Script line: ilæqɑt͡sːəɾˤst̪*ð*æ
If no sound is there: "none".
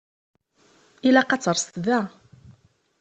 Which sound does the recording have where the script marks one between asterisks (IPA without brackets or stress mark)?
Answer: ð